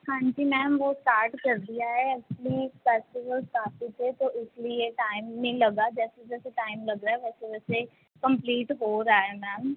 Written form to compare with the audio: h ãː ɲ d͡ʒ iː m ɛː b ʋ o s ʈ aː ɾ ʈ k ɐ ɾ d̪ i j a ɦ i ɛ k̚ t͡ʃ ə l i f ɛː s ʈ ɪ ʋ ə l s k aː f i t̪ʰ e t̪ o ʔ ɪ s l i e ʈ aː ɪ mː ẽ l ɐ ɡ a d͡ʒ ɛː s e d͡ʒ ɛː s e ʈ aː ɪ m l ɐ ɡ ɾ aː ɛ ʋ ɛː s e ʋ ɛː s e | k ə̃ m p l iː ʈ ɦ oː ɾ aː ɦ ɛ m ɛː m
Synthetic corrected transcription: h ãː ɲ d͡ʒ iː m ɛː m ʋ o s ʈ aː ɾ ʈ k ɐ ɾ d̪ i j a ɦ ɛ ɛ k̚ t͡ʃ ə l i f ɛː s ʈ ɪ ʋ ə l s k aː f i t̪ʰ e t̪ o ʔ ɪ s l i e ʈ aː ɪ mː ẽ l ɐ ɡ a d͡ʒ ɛː s e d͡ʒ ɛː s e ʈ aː ɪ m l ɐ ɡ ɾ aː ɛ ʋ ɛː s e ʋ ɛː s e | k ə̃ m p l iː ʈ ɦ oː ɾ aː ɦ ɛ m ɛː m